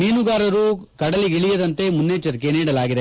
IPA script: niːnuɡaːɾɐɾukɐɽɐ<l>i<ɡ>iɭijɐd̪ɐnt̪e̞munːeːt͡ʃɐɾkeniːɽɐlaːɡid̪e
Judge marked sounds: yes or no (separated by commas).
yes, yes